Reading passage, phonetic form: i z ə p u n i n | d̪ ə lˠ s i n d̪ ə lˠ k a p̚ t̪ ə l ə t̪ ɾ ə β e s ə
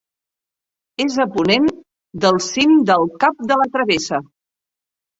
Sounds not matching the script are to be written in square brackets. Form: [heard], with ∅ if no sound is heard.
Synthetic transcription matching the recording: [e] z ə p u n [e] n | d̪ ə lˠ s i n d̪ ə lˠ k a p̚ [d̪] ə l ə t̪ ɾ ə β e s ə